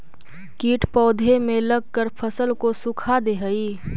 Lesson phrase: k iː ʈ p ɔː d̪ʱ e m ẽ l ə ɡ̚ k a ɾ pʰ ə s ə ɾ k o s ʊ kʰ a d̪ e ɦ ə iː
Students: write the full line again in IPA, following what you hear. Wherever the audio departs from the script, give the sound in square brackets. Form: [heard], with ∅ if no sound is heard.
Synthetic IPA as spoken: k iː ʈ p ɔː d̪ʱ e m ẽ l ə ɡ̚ k [ə] ɾ pʰ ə s ə [l] k o s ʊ kʰ a d̪ e ɦ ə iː